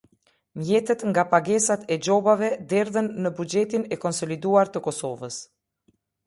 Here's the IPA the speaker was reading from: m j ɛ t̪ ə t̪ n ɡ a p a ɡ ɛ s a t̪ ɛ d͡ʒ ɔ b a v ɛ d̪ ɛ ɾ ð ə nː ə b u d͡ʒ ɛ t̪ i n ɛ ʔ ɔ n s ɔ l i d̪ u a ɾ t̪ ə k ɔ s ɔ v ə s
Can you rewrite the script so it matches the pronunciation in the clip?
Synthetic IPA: m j ɛ t̪ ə t̪ ŋ ɡ a p a ɡ ɛ s a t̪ ɛ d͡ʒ ɔ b a v ɛ d̪ ɛ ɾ ð ə nː ə b u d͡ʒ ɛ t̪ i n ɛ k ɔ n s ɔ l i d̪ u a ɾ t̪ ə k ɔ s ɔ v ə s